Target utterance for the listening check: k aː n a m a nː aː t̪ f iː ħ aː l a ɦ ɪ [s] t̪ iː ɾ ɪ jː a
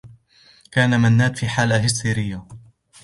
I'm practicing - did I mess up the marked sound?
no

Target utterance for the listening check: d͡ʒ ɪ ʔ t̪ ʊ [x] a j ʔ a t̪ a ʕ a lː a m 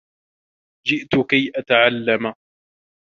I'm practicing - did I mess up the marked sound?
yes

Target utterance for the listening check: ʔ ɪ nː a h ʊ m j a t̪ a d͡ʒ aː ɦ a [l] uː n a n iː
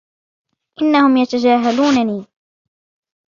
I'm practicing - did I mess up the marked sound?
no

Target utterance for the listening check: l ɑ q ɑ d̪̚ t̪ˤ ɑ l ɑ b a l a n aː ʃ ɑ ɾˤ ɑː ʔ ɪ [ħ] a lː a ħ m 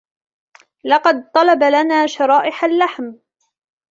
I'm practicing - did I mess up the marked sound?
no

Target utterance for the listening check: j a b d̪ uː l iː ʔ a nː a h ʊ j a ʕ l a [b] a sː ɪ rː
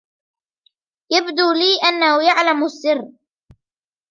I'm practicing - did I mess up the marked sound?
yes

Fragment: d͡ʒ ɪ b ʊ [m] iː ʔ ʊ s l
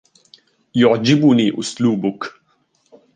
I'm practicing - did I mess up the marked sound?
yes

